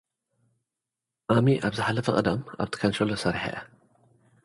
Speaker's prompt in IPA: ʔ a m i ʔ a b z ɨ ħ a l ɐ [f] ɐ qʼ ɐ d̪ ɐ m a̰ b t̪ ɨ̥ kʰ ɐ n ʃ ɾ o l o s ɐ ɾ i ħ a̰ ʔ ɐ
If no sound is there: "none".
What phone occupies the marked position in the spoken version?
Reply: f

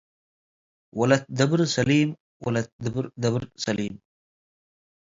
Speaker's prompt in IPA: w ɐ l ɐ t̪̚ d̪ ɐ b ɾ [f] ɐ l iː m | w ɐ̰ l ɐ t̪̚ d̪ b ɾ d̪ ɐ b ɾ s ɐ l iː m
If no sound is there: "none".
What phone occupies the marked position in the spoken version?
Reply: s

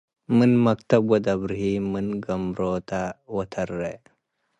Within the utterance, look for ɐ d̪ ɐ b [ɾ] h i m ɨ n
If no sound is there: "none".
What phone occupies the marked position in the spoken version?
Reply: ɾ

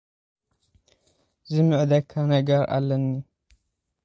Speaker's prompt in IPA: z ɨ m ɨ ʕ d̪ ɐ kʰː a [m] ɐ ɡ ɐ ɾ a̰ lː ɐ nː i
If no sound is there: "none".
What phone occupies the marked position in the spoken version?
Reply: n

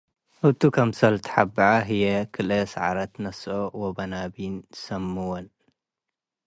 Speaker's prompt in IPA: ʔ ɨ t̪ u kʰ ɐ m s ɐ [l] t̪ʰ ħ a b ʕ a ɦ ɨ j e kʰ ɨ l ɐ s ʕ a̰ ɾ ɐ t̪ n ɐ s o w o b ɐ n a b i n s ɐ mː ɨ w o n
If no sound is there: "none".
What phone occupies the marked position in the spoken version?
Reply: l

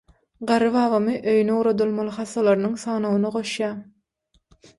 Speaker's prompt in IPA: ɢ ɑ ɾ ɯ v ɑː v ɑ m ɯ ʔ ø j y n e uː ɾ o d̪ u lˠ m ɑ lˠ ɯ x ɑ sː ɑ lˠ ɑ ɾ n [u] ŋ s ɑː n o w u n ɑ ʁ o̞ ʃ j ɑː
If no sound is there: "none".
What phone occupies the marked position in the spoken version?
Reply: ɯ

